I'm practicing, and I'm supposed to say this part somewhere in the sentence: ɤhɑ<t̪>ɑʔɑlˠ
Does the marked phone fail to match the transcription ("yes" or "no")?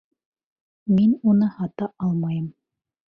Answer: no